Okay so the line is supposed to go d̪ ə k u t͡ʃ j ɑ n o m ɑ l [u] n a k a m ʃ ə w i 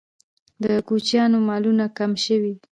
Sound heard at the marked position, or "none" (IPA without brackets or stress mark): u